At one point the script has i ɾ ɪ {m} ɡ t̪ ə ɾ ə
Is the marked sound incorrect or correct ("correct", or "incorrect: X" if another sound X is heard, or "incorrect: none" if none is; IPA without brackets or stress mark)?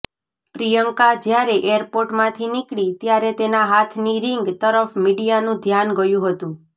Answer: incorrect: ŋ